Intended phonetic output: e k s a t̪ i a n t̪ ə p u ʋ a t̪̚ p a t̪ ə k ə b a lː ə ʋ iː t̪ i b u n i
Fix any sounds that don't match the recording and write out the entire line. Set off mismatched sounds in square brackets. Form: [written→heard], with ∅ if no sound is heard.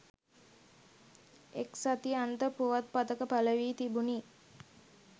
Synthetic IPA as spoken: e k s a t̪ i a n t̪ ə p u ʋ a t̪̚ p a t̪ ə k ə [b→p] a [lː→l] ə ʋ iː t̪ i b u n i